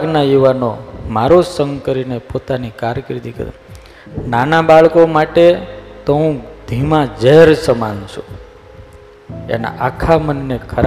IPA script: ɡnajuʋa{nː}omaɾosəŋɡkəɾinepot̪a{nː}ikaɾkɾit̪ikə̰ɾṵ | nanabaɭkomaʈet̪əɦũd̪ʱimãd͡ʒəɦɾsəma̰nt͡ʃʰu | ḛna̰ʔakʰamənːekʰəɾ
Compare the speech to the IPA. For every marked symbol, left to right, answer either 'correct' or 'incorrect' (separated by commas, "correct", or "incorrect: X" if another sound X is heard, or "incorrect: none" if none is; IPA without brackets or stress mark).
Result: incorrect: n, incorrect: n